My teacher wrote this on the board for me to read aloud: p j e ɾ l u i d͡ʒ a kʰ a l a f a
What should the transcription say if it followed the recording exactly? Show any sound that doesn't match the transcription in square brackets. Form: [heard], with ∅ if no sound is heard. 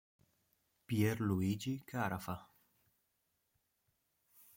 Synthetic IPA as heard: p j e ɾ l u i d͡ʒ [i] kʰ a [ɾ] a f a